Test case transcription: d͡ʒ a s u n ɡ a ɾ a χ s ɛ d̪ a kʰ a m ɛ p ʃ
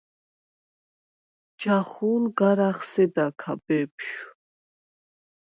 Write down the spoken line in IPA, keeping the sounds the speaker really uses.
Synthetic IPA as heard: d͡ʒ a χ u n ɡ a ɾ a χ s ɛ d̪ a kʰ a b ɛ p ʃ